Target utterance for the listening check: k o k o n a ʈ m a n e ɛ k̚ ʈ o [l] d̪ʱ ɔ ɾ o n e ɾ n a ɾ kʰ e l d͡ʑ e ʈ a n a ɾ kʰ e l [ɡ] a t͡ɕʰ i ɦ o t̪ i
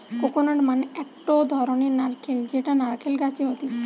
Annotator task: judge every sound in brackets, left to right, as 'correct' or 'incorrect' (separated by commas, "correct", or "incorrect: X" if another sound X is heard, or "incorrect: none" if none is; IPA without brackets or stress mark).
incorrect: none, correct